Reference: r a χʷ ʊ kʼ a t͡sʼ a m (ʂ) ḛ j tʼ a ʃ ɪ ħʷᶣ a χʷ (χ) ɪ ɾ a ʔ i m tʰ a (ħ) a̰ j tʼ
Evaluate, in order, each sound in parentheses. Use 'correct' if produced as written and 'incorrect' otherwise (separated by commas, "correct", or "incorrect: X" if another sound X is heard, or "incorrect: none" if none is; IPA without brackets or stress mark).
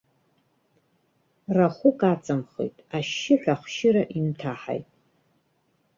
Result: incorrect: χ, incorrect: ʃ, correct